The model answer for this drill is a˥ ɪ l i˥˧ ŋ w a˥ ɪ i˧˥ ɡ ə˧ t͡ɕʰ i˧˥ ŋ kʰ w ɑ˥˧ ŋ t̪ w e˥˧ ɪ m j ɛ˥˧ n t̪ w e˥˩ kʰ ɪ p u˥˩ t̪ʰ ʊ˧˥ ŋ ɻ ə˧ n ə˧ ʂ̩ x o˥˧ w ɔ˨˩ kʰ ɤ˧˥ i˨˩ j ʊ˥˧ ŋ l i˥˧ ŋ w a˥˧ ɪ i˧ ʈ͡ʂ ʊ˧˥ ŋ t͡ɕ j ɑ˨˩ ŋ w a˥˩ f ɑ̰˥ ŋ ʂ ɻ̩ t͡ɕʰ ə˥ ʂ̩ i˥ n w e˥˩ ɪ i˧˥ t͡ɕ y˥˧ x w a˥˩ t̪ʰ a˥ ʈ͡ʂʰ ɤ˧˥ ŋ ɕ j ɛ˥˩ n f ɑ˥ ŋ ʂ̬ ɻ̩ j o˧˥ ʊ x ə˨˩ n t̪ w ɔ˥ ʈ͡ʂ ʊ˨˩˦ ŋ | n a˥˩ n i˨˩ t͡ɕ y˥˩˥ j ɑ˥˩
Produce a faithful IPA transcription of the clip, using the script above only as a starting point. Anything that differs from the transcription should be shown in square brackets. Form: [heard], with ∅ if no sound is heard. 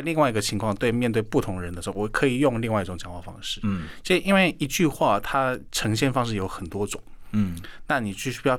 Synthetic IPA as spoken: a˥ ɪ l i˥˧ ŋ w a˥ ɪ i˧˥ ɡ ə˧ t͡ɕʰ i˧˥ ŋ kʰ w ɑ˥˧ ŋ t̪ w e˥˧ ɪ m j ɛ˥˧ n t̪ w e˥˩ [∅] ɪ p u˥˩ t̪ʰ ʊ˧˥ ŋ ɻ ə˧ n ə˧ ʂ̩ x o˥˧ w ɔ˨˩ kʰ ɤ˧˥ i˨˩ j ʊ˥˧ ŋ l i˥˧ ŋ w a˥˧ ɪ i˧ ʈ͡ʂ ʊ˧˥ ŋ t͡ɕ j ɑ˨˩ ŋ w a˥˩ f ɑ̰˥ ŋ ʂ ɻ̩ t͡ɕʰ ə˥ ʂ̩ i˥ n w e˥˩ ɪ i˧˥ t͡ɕ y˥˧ x w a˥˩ t̪ʰ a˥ ʈ͡ʂʰ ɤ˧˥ ŋ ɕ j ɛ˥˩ n f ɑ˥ ŋ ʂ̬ ɻ̩ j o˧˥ ʊ x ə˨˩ n t̪ w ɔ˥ ʈ͡ʂ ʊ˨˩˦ ŋ | n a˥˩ n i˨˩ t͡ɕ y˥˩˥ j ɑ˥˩